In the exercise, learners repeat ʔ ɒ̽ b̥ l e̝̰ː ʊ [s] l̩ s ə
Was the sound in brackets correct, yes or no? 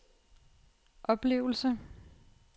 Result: no